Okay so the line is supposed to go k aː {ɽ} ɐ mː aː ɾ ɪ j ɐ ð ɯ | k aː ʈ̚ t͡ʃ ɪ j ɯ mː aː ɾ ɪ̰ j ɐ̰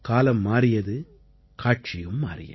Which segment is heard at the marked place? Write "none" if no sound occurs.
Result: l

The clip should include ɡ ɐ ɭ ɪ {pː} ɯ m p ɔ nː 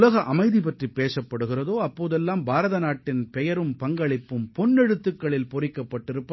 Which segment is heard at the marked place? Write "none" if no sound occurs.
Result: pː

